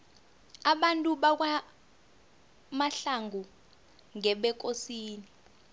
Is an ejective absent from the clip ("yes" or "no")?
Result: no